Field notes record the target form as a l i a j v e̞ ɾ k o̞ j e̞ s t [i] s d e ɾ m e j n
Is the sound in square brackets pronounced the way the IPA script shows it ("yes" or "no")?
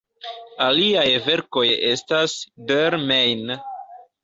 no